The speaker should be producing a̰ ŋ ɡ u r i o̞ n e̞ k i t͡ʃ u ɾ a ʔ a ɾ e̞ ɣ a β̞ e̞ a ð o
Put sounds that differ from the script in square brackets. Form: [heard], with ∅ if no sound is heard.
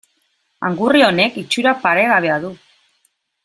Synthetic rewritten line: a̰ ŋ ɡ u r i o̞ n e̞ k i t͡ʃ u ɾ a [p] a ɾ e̞ ɣ a β̞ e̞ a ð [u]